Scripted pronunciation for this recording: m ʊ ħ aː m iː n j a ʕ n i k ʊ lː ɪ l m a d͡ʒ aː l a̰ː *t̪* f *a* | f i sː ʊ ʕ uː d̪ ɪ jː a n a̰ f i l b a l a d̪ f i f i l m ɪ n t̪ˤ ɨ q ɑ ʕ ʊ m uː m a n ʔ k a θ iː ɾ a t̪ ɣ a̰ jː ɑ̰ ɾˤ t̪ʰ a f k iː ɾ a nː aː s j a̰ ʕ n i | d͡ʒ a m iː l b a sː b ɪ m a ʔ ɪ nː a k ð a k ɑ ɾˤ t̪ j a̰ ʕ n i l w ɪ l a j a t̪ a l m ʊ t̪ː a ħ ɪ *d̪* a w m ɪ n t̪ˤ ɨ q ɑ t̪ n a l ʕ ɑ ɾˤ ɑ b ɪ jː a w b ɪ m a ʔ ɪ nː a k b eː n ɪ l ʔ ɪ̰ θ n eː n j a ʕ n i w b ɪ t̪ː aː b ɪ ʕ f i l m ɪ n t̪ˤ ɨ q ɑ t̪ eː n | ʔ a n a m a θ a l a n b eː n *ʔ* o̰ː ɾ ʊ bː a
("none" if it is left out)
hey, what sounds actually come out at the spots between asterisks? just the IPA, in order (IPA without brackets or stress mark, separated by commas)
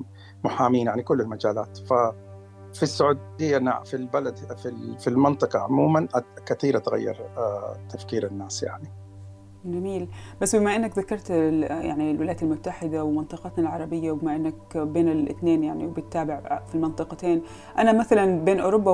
t̪, a, d̪, ʔ